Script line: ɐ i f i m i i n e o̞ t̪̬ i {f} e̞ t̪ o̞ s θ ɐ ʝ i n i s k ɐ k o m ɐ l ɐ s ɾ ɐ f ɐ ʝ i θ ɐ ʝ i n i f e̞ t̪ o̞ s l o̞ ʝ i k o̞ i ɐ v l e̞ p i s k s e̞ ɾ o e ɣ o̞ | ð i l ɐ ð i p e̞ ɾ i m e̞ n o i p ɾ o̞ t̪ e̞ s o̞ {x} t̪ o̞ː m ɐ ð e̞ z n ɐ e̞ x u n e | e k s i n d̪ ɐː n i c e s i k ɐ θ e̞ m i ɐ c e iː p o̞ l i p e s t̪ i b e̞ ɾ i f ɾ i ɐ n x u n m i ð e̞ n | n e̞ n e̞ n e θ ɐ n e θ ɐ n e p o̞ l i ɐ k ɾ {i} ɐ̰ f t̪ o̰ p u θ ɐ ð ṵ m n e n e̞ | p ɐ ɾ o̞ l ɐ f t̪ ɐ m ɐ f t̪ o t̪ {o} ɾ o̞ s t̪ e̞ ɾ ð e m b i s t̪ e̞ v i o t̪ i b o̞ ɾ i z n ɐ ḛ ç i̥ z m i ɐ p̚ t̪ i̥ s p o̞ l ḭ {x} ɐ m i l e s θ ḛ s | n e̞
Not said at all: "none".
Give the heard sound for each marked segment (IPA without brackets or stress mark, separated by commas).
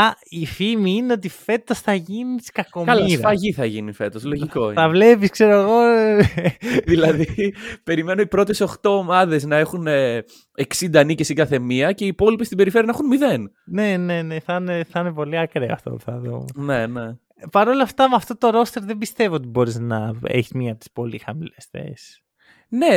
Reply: f, x, e, o, x